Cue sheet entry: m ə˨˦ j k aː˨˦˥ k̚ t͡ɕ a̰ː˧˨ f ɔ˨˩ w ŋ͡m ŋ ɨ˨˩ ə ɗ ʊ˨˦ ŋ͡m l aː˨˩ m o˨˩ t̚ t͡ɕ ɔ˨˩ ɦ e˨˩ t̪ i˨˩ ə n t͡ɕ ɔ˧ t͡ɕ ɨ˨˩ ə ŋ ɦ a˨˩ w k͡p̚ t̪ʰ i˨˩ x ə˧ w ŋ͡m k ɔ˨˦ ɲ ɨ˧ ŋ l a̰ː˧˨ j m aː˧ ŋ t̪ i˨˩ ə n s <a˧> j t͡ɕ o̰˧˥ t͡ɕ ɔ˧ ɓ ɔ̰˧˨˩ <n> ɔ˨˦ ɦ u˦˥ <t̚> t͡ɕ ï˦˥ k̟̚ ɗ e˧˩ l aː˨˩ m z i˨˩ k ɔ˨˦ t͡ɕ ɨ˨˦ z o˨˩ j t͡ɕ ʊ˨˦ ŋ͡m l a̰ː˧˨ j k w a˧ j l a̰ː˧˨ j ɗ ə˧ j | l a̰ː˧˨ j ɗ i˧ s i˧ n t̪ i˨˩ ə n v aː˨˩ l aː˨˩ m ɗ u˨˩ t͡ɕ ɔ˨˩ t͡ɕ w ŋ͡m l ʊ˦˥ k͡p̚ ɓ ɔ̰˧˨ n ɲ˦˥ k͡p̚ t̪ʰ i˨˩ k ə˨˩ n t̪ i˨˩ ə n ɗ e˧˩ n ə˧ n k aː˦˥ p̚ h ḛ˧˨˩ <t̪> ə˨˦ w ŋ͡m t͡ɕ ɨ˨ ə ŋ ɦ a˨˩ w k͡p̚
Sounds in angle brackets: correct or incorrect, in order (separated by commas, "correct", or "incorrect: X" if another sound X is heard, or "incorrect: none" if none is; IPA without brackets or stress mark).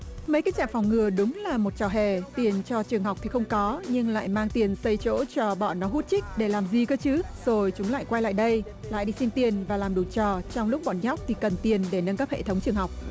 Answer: incorrect: ə˧, correct, correct, incorrect: t̪ʰ